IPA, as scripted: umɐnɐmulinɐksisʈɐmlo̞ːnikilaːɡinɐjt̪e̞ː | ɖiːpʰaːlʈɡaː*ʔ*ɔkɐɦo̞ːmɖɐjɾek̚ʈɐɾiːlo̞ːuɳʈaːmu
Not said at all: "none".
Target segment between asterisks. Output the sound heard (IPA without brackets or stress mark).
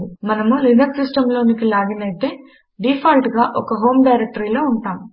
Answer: ʔ